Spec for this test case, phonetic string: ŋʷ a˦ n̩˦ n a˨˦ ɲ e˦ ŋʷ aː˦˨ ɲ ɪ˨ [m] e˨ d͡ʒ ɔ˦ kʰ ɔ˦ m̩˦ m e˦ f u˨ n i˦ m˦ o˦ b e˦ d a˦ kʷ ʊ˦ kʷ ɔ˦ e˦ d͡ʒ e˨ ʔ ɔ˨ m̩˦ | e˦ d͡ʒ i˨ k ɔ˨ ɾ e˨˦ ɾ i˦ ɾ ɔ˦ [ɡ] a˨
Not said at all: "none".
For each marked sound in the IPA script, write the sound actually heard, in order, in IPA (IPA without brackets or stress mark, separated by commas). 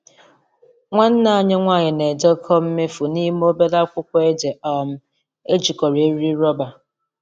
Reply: n, b